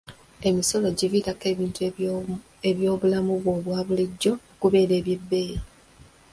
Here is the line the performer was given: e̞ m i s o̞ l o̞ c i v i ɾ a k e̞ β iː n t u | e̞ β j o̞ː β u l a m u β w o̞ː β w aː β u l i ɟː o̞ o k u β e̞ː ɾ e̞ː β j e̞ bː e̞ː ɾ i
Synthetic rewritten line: e̞ m i s o̞ l o̞ ɟ i v i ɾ a k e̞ β iː n t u | e̞ β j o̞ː β u l a m u β w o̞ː β w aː β u l i ɟː o̞ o k u β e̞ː ɾ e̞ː β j e̞ bː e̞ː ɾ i